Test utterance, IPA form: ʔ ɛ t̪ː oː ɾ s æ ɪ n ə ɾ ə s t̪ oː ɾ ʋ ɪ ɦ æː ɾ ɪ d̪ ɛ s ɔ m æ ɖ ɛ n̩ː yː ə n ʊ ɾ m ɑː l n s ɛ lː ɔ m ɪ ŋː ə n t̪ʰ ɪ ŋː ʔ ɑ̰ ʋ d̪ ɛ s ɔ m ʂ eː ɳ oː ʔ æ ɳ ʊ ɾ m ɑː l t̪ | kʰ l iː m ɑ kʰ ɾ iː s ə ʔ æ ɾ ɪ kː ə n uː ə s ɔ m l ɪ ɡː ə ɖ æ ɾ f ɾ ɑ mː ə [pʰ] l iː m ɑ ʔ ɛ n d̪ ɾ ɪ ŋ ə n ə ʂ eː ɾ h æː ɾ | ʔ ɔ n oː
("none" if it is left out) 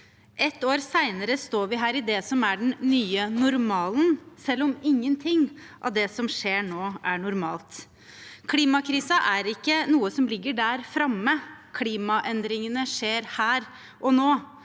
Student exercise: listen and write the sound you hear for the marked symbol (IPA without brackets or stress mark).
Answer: kʰ